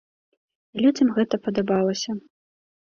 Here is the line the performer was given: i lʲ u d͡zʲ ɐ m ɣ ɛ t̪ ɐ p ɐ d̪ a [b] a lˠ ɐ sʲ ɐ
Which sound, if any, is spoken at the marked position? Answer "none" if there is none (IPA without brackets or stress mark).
b